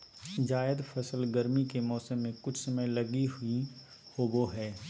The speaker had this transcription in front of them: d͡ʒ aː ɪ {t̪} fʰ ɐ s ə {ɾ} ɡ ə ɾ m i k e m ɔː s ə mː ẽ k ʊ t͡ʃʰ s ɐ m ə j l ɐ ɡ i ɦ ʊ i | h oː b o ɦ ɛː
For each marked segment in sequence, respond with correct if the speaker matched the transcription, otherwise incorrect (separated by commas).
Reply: incorrect, incorrect